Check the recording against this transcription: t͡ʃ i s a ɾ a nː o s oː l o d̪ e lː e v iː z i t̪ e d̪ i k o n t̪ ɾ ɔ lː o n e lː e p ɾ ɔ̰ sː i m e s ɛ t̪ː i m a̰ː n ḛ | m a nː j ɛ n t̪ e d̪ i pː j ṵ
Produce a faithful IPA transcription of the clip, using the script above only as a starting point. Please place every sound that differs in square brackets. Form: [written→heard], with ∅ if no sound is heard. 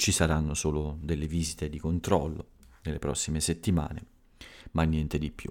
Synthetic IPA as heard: t͡ʃ i s a ɾ a nː o s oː l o d̪ e lː e v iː z i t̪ e d̪ i k o n t̪ ɾ ɔ lː o n e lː e p ɾ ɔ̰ sː i m e s [ɛ→e] t̪ː i m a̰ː n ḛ | m a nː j ɛ n t̪ e d̪ i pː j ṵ